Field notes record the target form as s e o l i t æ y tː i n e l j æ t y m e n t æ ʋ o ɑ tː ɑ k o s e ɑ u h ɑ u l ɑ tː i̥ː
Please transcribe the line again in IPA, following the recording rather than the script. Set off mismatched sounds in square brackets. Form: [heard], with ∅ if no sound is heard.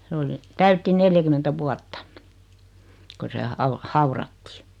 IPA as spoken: s e o l i t æ y tː i n e l j æ [k] y m e n t æ ʋ [u] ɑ tː ɑ k o s e ɑ u h ɑ u [r] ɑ tː i̥ː